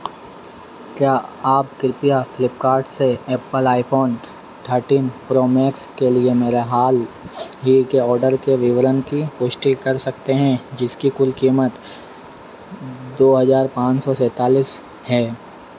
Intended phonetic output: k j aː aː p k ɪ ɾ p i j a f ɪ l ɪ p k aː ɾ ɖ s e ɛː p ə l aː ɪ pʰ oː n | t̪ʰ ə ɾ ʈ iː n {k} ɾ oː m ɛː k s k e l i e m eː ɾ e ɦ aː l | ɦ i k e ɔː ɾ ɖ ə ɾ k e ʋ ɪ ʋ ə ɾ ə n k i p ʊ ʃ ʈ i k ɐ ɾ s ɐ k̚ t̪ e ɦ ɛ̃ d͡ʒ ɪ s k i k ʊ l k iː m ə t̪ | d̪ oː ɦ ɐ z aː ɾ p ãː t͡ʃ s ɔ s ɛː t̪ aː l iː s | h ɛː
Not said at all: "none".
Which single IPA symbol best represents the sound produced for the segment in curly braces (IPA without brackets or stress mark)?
p